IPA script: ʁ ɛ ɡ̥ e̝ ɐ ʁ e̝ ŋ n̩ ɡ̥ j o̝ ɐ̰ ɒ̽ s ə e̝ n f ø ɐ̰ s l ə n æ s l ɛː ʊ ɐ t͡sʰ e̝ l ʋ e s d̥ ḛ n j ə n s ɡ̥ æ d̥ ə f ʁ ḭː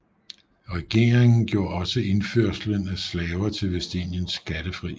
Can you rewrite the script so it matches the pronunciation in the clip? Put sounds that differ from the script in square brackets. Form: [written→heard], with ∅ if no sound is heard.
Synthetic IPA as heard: ʁ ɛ ɡ̥ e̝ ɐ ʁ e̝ ŋ n̩ ɡ̥ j o̝ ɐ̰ ɒ̽ s ə e̝ n f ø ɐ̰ s l ə n æ s l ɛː ʊ ɐ t͡sʰ e̝ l ʋ e s d̥ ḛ n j ə n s ɡ̥ æ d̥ ə f ʁ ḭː